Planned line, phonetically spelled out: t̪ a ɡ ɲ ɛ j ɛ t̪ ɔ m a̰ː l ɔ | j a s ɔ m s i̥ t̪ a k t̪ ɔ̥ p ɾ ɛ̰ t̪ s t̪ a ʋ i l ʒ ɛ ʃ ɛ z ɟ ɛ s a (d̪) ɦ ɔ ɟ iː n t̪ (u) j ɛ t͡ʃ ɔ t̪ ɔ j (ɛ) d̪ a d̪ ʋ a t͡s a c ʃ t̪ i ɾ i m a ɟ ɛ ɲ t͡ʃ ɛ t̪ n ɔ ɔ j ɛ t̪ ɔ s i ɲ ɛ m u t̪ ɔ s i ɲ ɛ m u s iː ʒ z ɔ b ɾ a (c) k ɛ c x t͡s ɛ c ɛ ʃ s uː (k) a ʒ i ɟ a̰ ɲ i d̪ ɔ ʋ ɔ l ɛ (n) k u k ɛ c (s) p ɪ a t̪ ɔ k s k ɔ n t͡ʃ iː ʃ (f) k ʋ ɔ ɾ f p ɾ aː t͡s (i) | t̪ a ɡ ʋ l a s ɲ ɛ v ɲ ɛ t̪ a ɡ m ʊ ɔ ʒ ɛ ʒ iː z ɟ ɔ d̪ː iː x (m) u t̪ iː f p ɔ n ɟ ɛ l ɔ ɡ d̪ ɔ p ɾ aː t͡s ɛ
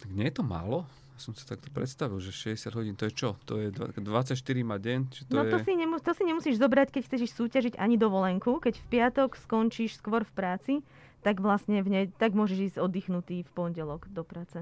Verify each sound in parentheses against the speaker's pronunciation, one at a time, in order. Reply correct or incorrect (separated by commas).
correct, incorrect, correct, correct, incorrect, incorrect, incorrect, incorrect, correct, incorrect